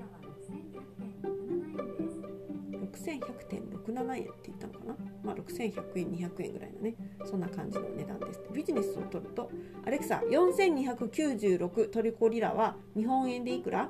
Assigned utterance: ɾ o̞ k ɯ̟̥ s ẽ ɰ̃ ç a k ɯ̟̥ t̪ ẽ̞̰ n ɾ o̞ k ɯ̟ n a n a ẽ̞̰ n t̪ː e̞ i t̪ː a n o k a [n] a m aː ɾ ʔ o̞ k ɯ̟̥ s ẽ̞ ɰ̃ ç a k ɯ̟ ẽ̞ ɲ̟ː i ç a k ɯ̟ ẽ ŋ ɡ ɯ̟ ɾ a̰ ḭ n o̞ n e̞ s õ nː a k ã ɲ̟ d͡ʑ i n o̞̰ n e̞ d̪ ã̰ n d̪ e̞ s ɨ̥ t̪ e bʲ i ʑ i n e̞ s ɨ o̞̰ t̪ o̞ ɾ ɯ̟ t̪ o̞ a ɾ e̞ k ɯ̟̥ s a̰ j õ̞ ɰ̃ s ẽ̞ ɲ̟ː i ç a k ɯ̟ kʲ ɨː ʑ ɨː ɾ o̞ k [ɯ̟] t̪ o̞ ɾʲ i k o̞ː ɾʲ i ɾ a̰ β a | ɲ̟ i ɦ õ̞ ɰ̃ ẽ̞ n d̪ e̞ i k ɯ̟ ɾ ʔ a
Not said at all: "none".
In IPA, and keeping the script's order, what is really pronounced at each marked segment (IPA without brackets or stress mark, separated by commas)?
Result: n, ɯ̟